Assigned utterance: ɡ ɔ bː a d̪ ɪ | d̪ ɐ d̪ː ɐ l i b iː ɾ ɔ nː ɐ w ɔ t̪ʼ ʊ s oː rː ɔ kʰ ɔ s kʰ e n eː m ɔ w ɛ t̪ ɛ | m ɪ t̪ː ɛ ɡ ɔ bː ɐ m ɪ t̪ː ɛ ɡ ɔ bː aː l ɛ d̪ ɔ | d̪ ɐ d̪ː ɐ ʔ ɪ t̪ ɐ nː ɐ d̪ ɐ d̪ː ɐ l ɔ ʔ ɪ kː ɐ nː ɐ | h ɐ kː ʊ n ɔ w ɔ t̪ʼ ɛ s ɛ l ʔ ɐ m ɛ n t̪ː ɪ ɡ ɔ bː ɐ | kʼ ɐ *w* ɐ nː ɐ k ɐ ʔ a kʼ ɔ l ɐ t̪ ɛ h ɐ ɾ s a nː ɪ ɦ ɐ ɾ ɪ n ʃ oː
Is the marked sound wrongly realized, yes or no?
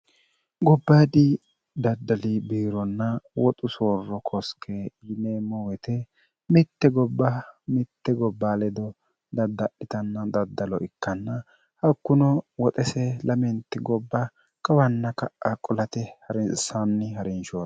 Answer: no